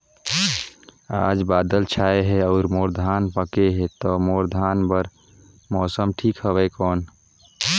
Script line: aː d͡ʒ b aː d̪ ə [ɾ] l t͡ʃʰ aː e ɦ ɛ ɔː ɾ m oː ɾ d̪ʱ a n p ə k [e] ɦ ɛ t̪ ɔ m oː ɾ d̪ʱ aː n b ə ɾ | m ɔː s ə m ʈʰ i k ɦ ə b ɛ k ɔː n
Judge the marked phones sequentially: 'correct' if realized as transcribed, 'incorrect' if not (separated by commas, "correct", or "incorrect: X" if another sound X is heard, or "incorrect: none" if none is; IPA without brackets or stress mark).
incorrect: none, correct